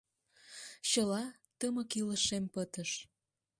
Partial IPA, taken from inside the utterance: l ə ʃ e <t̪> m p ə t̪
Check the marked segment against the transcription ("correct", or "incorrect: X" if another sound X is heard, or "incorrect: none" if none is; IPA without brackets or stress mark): incorrect: none